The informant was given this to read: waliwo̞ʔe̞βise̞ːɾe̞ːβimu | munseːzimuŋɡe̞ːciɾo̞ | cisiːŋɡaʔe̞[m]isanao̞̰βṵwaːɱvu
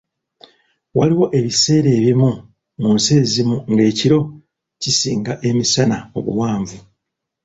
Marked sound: correct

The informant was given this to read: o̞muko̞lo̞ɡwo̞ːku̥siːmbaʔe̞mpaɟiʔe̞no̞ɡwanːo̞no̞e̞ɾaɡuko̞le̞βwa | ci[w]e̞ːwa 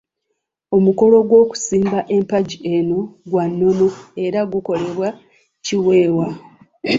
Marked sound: correct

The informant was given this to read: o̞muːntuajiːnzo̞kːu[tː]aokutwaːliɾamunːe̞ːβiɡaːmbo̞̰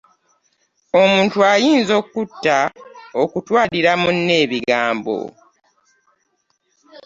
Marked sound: correct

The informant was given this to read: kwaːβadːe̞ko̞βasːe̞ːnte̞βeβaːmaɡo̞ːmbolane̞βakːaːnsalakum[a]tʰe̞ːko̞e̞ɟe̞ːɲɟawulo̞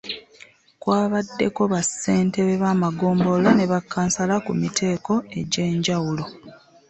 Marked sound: incorrect: i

